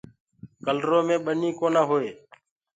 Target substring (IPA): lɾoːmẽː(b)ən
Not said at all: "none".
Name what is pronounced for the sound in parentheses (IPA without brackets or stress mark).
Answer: ɓ